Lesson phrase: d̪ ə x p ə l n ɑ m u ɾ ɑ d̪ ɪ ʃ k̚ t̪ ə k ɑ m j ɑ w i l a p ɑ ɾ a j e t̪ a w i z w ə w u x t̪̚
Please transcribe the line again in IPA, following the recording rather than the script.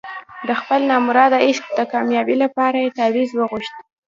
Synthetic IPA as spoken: d̪ ə x p ə l n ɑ m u ɾ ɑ d̪ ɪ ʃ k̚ d̪ ə k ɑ m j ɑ b i l a p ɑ ɾ a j e t̪ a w i z w ə ɣ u ʃ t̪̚